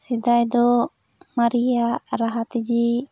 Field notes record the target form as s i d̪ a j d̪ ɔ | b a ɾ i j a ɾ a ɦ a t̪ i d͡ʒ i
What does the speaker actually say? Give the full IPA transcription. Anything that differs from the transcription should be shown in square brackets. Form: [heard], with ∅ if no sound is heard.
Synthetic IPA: s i d̪ a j d̪ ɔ | [m] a ɾ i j a ɾ a ɦ a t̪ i d͡ʒ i